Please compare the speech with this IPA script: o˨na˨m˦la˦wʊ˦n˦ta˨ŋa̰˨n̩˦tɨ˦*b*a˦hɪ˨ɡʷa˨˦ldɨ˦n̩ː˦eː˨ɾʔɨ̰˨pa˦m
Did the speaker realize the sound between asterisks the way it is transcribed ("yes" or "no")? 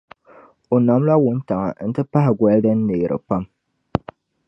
no